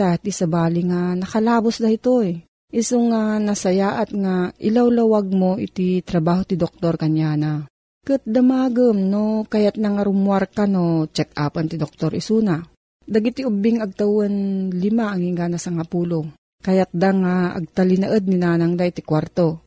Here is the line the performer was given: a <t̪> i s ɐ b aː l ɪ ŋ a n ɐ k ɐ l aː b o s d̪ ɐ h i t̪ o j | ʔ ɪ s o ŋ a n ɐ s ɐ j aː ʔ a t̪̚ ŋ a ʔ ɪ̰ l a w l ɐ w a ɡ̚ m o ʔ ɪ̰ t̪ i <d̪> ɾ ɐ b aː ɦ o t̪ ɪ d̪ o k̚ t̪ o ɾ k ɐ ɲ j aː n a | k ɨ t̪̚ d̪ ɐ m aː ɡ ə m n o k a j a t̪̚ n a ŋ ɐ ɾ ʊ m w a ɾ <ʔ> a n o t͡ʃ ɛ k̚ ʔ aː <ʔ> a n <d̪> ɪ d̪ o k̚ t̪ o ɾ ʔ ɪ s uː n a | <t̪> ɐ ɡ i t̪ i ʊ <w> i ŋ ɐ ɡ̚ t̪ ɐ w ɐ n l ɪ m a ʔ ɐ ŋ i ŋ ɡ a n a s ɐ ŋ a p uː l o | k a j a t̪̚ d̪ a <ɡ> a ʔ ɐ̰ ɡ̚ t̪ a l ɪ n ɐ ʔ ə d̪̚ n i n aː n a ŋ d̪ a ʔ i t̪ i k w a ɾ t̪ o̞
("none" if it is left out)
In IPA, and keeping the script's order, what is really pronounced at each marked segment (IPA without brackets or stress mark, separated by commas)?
t̪, t̪, k, p, t̪, d̪, b, ŋ